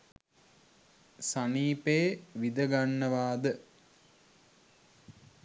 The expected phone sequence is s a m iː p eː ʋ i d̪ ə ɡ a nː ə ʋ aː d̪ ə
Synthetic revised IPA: s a n iː p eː ʋ i d̪ ə ɡ a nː ə ʋ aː d̪ ə